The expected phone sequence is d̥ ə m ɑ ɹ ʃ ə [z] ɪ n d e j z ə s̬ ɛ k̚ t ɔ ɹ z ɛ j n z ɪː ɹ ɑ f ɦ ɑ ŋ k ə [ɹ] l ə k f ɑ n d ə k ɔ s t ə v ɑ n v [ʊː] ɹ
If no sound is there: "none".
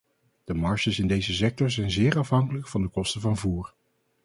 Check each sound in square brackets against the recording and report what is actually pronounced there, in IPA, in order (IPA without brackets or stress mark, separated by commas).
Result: s, none, uː